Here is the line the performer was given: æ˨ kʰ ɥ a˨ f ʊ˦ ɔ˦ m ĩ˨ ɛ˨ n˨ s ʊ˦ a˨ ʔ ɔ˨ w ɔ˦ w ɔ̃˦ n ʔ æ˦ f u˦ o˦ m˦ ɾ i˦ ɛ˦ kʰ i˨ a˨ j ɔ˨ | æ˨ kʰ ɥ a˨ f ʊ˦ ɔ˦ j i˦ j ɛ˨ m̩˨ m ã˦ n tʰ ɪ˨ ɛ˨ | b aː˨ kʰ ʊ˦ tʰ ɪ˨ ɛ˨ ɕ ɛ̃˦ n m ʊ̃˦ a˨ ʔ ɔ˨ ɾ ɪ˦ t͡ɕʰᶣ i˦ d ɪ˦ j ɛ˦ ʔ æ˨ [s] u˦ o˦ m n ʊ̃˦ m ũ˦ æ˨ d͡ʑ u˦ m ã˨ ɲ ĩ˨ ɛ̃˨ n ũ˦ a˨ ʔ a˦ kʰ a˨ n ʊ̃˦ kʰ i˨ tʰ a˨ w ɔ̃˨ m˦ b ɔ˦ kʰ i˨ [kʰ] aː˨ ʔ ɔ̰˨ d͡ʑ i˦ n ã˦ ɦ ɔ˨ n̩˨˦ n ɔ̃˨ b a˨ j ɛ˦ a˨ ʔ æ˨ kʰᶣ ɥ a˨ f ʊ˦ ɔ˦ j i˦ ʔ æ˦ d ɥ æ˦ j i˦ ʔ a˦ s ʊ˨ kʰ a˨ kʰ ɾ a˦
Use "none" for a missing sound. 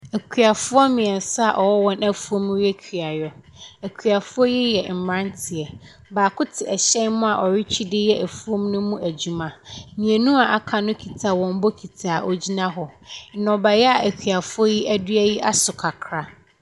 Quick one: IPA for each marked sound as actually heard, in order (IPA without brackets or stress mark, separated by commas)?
f, tʰ